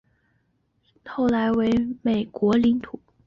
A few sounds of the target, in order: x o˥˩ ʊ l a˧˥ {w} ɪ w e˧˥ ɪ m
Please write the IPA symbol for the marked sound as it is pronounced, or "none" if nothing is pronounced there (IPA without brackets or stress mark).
none